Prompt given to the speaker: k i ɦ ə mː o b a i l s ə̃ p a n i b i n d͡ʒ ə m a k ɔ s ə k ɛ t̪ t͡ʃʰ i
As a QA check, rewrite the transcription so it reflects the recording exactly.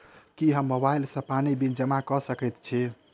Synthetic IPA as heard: k i ɦ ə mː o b a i l s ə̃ p a n i b i n d͡ʒ ə m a k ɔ s ə k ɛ t̪ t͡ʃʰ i